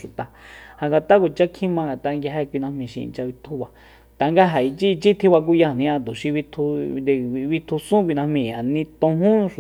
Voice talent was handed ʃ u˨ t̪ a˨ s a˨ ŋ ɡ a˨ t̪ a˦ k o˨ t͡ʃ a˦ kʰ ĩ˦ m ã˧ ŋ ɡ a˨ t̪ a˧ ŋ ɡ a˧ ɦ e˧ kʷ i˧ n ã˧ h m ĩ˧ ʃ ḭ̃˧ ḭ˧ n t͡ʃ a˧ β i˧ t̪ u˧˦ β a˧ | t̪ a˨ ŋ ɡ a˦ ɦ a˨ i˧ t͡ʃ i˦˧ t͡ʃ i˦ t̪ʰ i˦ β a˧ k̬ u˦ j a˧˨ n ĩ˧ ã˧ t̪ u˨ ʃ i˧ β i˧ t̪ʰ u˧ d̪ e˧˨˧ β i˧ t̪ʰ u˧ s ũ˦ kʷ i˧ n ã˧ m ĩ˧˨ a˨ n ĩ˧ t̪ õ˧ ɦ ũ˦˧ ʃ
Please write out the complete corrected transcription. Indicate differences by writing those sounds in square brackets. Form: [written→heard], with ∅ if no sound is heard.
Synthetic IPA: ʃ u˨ t̪ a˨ [s→h] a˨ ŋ ɡ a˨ t̪ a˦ k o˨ t͡ʃ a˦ kʰ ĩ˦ m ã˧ ŋ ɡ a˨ t̪ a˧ ŋ ɡ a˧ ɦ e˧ kʷ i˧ n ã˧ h m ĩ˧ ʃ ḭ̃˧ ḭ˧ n t͡ʃ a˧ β i˧ [t̪→t̪ʰ] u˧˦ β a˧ | t̪ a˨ ŋ ɡ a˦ ɦ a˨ i˧ t͡ʃ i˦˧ t͡ʃ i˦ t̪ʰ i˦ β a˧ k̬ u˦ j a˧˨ n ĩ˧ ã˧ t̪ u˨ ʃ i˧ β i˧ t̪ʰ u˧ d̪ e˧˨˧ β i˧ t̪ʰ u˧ s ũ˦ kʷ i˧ n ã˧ m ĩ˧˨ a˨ n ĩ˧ t̪ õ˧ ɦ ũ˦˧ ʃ